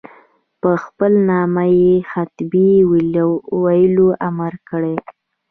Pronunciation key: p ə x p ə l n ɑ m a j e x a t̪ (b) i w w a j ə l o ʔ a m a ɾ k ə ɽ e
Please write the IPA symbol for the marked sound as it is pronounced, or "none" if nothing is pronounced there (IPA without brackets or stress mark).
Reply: b